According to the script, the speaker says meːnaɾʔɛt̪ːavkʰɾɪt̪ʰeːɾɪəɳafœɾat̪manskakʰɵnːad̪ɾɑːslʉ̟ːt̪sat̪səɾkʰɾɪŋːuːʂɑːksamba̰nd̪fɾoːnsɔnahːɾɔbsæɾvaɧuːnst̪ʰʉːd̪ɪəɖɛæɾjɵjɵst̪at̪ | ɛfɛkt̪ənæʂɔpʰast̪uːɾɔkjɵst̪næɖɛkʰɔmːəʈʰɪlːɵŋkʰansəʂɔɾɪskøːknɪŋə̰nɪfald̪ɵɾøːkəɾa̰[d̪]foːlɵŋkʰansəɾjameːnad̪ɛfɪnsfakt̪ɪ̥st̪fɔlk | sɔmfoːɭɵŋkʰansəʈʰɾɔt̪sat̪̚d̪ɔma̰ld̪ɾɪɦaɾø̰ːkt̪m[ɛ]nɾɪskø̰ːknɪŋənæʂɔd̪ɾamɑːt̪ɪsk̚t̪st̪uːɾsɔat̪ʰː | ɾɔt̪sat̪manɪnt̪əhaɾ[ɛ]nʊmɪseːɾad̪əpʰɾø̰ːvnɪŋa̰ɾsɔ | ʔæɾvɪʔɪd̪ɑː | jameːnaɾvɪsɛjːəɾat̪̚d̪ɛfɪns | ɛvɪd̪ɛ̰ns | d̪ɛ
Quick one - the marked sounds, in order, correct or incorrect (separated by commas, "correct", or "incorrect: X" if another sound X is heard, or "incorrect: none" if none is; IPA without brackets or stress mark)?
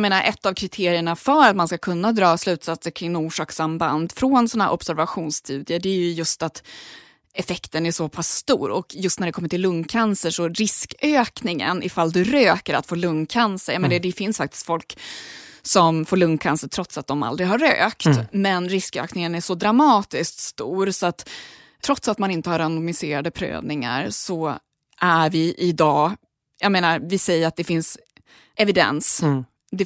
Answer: incorrect: t̪, correct, incorrect: a